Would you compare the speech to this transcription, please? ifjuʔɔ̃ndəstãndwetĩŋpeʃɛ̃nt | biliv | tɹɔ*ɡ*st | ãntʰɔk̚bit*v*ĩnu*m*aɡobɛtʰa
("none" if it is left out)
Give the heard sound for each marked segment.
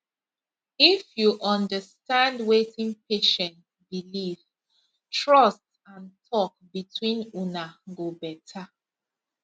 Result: none, w, n

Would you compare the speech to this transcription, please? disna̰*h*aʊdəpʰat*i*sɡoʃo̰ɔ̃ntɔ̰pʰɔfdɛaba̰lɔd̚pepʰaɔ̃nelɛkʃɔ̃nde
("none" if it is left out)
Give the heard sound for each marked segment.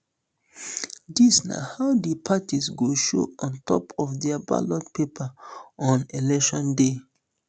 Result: h, i

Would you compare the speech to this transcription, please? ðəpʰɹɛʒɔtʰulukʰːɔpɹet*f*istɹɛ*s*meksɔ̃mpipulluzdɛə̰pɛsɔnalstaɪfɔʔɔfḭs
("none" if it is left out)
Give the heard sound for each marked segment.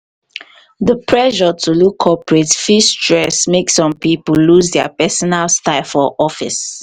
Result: f, s

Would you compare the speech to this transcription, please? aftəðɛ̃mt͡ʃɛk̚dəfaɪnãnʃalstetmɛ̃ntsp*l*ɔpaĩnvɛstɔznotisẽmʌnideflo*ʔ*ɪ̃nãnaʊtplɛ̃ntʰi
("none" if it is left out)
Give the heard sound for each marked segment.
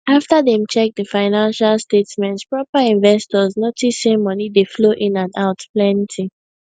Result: ɹ, ʔ

